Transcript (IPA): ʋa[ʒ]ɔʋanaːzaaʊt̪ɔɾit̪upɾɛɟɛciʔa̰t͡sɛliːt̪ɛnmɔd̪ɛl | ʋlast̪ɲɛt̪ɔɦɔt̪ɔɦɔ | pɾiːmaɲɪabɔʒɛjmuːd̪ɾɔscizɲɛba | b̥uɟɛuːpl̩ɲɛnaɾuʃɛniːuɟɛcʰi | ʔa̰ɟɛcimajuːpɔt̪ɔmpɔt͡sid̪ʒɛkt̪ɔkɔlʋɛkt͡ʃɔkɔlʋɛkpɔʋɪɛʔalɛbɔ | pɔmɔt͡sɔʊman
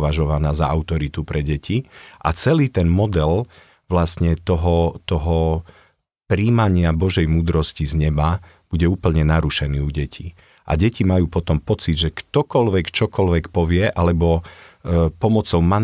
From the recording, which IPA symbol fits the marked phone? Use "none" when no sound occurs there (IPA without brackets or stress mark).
ʒ